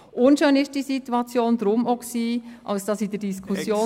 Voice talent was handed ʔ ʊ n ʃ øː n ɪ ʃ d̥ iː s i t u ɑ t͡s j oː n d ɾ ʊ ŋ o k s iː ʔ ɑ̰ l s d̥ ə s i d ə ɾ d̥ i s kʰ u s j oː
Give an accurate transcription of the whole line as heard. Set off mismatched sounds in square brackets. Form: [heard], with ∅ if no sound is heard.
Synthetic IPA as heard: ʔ ʊ n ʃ øː n ɪ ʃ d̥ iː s i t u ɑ t͡s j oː n d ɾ ʊ [m] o k s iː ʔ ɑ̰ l s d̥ [ɑ] s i d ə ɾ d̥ i s kʰ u s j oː